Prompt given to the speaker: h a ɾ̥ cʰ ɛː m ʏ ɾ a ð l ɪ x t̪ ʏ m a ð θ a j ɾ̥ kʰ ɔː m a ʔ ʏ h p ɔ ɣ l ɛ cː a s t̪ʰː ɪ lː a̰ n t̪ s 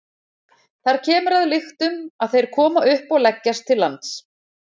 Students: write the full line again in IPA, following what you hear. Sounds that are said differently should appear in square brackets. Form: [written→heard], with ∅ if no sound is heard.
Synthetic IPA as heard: [h→θ] a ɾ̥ cʰ ɛː m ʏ ɾ a ð l ɪ x t̪ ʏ m a ð θ [a→e] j ɾ̥ kʰ ɔː m a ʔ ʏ h p ɔ ɣ l ɛ cː a s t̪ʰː ɪ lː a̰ n t̪ s